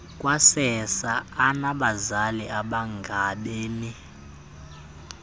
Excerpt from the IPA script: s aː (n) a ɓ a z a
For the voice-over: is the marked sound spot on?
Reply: yes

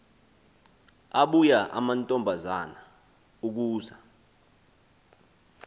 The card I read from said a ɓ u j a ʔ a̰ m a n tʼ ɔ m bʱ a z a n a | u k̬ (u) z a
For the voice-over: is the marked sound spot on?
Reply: no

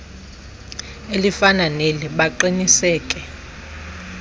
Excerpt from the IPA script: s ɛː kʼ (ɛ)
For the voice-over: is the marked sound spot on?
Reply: yes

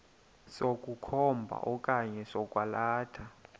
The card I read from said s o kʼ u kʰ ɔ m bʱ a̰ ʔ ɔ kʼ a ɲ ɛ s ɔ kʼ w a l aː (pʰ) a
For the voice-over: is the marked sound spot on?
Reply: no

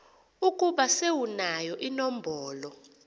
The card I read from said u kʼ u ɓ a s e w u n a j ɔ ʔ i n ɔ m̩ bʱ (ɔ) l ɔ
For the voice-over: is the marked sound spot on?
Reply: no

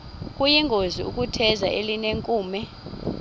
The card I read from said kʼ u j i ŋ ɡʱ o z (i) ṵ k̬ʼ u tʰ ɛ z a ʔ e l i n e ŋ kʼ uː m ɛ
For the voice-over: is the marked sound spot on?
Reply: yes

